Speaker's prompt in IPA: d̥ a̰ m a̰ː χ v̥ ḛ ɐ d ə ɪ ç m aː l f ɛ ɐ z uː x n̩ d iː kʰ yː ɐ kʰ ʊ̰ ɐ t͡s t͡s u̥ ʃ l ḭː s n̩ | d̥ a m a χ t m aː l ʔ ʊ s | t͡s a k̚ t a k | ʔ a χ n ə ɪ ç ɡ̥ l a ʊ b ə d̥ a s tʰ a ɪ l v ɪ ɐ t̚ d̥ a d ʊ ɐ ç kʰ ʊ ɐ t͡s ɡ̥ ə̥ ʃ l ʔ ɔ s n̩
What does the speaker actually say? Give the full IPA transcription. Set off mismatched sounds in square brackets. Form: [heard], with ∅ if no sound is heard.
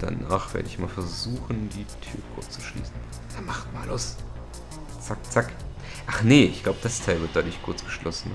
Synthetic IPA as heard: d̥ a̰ [n] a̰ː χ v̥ ḛ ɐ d ə ɪ ç m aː l f ɛ ɐ z uː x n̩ d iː [tʰ] yː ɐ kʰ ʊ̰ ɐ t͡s t͡s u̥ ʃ l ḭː s n̩ | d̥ a m a χ t m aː l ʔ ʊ s | t͡s a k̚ [t͡s] a k | ʔ a χ n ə ɪ ç ɡ̥ l a ʊ b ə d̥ a s tʰ a ɪ l v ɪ ɐ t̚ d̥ a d ʊ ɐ ç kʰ ʊ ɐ t͡s ɡ̥ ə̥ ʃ l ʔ ɔ s n̩